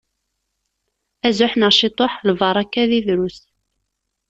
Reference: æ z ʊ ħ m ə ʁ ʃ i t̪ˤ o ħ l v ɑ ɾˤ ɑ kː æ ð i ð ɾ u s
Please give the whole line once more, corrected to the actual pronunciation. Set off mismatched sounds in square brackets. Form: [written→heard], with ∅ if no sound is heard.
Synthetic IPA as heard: æ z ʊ ħ [m→n] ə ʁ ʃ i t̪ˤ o ħ l v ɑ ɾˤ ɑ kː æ ð i ð ɾ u s